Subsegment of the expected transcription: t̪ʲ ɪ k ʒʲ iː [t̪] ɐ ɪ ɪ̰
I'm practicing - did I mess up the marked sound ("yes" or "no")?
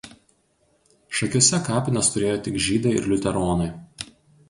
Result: yes